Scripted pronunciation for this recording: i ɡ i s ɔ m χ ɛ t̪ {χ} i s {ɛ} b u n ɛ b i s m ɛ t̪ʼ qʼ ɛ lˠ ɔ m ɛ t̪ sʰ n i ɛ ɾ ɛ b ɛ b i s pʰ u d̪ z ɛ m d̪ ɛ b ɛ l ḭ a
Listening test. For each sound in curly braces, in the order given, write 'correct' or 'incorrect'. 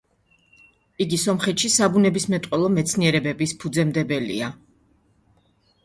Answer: incorrect, incorrect

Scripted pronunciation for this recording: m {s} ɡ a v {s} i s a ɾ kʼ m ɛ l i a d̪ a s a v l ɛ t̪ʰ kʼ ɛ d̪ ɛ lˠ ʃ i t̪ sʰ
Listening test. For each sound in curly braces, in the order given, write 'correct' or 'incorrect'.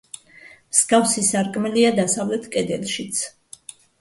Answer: correct, correct

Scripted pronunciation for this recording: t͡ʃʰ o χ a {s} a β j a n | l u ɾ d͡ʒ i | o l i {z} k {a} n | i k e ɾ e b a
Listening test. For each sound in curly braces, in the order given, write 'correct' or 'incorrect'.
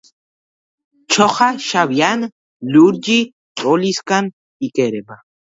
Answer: incorrect, incorrect, correct

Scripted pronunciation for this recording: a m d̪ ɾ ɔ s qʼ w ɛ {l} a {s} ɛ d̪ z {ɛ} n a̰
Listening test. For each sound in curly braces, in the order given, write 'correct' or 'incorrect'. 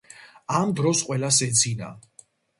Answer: correct, correct, incorrect

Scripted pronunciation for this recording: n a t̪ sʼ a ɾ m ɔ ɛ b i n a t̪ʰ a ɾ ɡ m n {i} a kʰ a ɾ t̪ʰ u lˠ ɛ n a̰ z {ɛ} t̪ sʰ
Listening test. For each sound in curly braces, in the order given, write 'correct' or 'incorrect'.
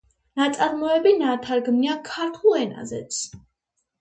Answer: correct, correct

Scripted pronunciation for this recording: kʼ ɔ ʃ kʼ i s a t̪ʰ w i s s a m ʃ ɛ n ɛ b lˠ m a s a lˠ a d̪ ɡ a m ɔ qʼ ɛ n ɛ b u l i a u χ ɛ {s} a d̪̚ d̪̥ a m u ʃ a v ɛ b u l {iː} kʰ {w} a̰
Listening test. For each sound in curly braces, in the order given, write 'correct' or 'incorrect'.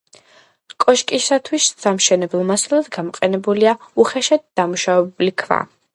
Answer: incorrect, incorrect, incorrect

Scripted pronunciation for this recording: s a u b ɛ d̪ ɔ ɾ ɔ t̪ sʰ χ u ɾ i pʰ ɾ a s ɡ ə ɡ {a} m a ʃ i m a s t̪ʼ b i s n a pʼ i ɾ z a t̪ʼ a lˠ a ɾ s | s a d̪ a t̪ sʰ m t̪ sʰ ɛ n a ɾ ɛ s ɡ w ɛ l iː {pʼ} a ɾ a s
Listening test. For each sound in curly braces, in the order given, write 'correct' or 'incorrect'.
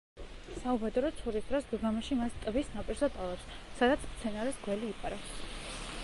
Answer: correct, correct

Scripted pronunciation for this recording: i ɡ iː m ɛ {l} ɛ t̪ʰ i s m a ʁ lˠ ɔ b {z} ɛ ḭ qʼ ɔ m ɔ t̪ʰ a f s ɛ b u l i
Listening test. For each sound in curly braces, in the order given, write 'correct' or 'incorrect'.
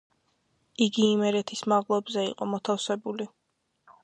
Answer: incorrect, correct

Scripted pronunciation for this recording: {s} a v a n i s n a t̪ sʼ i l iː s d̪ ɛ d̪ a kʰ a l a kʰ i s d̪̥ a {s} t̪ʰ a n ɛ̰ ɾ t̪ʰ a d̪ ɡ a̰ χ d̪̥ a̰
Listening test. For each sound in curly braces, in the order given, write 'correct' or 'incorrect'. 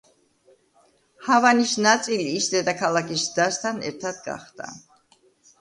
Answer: incorrect, correct

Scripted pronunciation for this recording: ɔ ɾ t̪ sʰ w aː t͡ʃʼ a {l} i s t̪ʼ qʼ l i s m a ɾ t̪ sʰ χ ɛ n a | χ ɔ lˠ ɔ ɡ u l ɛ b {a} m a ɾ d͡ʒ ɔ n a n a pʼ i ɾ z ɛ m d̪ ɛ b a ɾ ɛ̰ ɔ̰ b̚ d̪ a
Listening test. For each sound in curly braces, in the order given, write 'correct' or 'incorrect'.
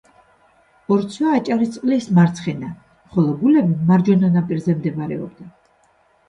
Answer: incorrect, incorrect

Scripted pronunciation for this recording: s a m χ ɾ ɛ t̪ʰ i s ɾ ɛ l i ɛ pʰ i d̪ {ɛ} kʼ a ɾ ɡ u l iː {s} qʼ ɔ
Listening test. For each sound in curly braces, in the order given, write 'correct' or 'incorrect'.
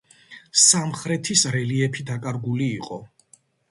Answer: incorrect, incorrect

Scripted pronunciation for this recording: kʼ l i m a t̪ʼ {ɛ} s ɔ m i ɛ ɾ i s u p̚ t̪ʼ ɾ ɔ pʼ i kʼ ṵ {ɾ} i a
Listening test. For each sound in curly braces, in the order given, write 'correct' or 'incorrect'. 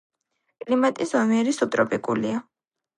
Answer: incorrect, incorrect

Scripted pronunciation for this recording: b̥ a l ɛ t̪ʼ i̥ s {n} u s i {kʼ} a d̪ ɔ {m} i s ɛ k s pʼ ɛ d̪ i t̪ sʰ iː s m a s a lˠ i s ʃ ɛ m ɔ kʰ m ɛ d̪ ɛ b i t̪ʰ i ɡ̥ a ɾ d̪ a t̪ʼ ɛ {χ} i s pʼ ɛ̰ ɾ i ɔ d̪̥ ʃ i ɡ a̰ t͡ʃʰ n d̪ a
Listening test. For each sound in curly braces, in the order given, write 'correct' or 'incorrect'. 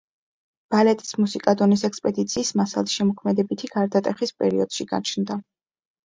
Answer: incorrect, correct, incorrect, correct

